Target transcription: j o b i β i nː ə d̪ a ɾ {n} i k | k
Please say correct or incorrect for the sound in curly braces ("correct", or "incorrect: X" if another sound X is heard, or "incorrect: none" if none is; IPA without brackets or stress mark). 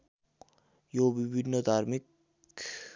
incorrect: m